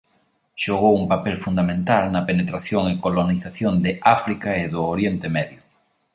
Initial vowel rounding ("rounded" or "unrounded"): rounded